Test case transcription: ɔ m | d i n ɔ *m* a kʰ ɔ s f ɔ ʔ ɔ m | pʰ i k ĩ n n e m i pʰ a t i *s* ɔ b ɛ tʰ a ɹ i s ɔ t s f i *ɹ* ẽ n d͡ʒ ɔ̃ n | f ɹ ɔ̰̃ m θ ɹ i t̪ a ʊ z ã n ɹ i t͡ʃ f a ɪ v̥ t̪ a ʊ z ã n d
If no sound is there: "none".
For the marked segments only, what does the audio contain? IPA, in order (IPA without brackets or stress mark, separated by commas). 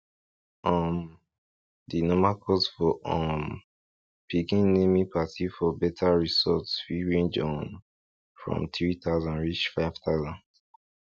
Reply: m, f, ɹ